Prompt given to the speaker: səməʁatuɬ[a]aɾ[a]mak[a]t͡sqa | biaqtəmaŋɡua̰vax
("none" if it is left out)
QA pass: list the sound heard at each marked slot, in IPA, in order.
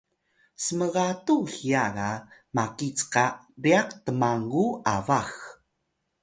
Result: i, a, i

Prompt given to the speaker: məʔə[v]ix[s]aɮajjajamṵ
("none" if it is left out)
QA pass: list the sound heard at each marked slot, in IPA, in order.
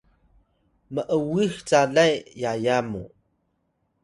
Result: w, t͡s

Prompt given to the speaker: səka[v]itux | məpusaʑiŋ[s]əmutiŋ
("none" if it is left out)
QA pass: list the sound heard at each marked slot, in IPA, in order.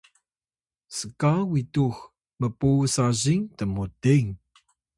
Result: w, t

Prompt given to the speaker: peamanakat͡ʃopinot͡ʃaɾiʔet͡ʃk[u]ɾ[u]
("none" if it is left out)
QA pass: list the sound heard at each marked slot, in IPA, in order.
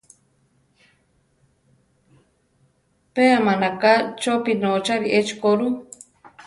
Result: o, u

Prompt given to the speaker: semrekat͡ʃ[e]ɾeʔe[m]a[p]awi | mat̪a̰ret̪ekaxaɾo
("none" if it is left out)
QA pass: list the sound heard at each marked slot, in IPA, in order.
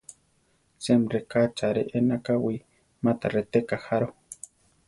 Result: a, n, k

